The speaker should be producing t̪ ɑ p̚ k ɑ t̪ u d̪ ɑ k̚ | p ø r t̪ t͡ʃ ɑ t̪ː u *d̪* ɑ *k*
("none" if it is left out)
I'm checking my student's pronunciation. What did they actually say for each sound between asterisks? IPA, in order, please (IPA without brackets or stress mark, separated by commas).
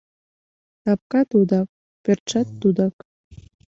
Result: d̪, k